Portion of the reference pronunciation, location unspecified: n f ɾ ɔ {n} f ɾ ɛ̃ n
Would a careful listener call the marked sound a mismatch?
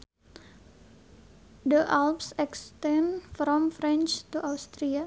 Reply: yes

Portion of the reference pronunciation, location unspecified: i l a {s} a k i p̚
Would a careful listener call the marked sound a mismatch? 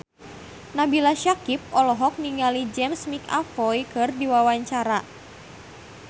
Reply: yes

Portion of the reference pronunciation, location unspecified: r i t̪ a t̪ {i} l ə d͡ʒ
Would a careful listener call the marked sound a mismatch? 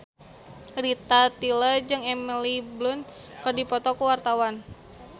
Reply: no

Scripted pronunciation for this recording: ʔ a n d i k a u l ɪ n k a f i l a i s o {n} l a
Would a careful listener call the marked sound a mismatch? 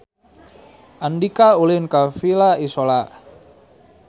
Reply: yes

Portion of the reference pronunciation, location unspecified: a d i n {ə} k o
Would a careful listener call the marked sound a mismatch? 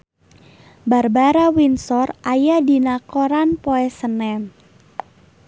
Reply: yes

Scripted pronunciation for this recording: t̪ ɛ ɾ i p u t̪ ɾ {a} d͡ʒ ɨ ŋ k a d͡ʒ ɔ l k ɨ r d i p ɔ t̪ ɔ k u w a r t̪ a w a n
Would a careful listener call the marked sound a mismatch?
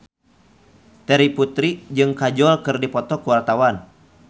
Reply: yes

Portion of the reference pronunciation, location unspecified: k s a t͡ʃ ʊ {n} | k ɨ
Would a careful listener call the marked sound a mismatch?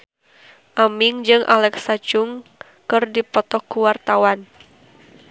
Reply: yes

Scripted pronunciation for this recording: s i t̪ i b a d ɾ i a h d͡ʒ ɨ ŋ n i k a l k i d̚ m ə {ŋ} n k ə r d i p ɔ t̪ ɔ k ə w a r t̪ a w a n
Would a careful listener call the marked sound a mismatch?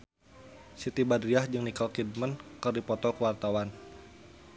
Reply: yes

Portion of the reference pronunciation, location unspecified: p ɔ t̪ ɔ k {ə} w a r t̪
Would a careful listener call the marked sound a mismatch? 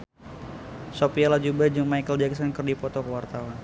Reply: no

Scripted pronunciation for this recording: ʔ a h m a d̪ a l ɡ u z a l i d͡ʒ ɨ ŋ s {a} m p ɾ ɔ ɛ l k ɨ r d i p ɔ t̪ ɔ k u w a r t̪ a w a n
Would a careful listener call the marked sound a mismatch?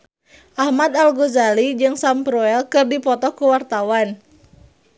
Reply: no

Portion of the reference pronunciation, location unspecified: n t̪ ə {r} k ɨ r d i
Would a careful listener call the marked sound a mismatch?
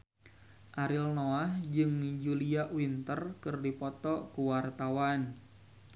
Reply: no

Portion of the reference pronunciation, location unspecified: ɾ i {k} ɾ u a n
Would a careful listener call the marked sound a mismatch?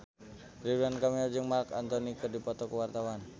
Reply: yes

